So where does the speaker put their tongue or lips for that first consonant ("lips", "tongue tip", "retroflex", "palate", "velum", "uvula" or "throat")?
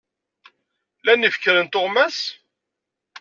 tongue tip